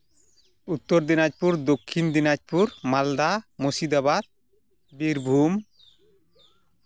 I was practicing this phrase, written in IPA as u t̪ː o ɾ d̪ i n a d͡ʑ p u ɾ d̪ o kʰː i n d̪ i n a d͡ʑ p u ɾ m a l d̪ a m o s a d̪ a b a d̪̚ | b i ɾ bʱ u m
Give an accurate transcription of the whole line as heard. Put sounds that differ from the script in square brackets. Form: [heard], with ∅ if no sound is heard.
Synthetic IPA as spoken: u t̪ː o ɾ d̪ i n a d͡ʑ p u ɾ d̪ o kʰː i n d̪ i n a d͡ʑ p u ɾ m a l d̪ a m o s [i] d̪ a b a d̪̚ | b i ɾ bʱ u m